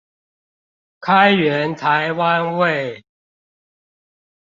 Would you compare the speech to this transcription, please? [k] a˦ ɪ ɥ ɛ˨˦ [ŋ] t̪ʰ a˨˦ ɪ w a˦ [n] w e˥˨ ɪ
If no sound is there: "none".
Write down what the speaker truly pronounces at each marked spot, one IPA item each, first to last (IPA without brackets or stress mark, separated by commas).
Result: kʰ, n, n